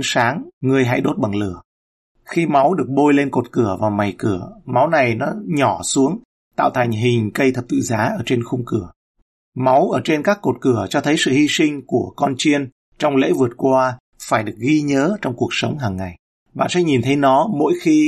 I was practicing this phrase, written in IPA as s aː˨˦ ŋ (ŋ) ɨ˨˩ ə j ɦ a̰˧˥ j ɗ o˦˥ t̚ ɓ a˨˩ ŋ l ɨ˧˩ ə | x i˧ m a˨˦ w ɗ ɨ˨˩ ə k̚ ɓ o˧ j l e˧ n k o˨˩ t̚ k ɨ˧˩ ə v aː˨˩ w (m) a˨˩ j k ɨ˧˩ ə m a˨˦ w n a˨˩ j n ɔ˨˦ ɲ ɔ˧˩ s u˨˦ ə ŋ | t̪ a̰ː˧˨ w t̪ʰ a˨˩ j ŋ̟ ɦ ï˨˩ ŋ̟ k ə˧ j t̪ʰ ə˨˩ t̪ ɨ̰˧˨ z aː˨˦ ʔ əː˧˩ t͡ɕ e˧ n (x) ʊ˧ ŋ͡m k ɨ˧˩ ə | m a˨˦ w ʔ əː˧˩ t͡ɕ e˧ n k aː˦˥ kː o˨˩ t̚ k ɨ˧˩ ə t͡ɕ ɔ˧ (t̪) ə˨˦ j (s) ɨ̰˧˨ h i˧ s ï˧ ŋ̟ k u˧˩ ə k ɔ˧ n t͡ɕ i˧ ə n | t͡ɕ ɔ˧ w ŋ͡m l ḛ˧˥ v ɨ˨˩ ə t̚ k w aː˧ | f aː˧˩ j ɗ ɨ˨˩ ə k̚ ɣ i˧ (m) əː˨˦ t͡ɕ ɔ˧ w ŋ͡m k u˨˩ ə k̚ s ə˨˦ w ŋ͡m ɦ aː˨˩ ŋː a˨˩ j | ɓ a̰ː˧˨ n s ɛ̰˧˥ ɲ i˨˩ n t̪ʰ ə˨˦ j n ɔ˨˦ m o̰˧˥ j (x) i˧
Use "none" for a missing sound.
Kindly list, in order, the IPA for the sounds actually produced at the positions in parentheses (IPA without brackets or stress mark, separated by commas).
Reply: ŋ, m, x, t̪ʰ, s, ɲ, x